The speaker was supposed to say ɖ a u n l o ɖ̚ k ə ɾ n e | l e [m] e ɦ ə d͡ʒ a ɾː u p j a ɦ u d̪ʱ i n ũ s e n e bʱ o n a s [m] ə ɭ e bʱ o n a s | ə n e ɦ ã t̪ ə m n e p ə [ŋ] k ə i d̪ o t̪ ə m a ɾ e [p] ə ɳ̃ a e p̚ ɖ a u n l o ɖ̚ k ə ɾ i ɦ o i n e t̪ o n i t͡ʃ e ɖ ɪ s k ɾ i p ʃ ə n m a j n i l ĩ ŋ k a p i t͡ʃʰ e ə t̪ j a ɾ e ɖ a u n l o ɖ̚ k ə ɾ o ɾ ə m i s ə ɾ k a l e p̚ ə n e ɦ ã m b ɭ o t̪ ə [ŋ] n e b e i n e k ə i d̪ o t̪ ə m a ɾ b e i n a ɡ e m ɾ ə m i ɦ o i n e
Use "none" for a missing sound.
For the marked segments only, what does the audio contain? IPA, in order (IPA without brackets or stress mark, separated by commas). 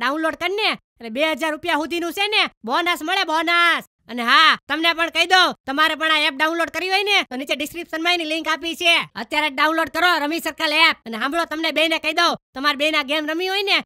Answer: b, m, ɳ, p, m